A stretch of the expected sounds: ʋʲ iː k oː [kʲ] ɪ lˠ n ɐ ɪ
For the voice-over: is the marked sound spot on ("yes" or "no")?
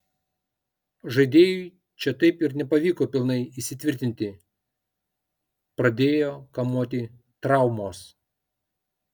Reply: no